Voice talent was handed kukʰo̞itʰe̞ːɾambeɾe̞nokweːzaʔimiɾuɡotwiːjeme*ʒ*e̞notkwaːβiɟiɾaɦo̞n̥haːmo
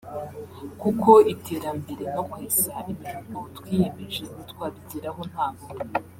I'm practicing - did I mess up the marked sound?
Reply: no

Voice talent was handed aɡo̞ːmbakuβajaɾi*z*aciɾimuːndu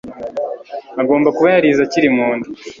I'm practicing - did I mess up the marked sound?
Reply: no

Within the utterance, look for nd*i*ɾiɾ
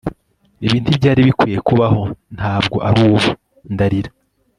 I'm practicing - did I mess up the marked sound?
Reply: yes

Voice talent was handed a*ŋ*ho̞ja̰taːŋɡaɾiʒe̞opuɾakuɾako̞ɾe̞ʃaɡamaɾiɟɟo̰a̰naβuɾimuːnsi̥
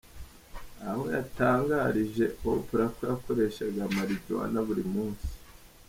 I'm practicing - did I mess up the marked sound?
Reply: yes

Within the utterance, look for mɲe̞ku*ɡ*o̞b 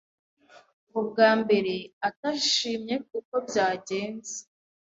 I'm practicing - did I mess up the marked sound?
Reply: yes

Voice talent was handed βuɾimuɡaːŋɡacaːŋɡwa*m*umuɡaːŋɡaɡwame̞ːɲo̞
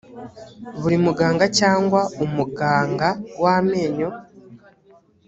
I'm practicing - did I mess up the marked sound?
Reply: yes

